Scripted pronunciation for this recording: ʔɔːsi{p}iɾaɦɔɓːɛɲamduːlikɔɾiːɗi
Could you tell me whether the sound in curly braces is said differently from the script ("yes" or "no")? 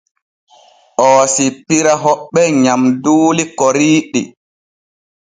no